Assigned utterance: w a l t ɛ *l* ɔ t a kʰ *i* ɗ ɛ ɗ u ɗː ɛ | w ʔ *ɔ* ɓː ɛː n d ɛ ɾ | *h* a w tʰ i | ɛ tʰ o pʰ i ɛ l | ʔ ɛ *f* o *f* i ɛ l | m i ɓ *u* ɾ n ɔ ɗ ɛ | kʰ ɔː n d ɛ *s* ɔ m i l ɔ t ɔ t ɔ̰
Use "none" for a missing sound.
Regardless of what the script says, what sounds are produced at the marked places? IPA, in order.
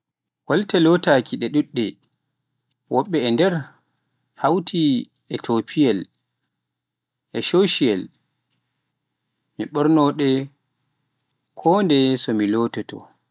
l, i, ɔ, h, ʃ, ʃ, ɔ, s

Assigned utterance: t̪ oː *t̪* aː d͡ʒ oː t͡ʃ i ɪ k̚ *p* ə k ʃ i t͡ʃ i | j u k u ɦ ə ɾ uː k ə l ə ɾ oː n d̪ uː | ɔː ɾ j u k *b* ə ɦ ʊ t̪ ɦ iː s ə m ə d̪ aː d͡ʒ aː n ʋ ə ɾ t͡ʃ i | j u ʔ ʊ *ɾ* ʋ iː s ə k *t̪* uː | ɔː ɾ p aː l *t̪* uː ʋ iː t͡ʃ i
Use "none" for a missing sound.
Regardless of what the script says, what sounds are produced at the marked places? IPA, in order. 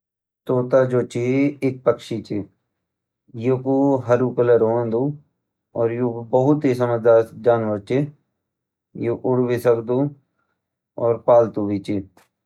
t̪, p, b, ɽ, d̪, t̪

